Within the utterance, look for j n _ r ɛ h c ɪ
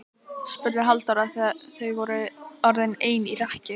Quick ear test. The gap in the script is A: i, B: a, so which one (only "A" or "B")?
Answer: A